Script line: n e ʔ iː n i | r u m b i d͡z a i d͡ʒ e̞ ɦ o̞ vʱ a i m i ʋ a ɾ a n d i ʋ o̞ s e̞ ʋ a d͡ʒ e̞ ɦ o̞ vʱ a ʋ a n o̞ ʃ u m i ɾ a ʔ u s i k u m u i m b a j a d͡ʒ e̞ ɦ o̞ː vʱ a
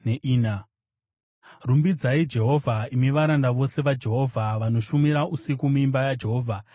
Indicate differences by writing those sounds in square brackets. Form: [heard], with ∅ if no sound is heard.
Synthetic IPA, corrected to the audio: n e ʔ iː n [a] | r u m b i d͡z a i d͡ʒ e̞ ɦ o̞ vʱ a i m i ʋ a ɾ a n d [a] ʋ o̞ s e̞ ʋ a d͡ʒ e̞ ɦ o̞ vʱ a ʋ a n o̞ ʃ u m i ɾ a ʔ u s i k u m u i m b a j a d͡ʒ e̞ ɦ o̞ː vʱ a